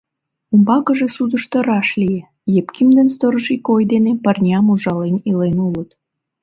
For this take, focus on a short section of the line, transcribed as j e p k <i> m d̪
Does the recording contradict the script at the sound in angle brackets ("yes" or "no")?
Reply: no